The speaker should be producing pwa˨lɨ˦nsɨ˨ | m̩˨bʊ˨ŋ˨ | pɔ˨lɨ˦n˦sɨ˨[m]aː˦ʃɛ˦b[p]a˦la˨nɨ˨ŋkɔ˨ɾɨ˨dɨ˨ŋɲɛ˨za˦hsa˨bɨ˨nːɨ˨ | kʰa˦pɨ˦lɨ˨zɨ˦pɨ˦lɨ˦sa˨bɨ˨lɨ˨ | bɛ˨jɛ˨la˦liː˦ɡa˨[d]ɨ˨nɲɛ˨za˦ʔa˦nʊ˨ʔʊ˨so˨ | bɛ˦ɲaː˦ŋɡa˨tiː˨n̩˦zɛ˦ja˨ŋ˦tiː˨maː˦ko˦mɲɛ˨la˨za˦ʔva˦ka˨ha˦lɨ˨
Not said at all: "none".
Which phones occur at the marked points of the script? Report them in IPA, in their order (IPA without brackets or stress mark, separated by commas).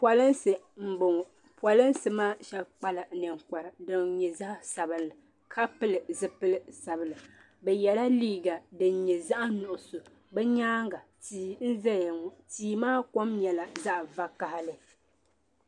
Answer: m, k͡p, d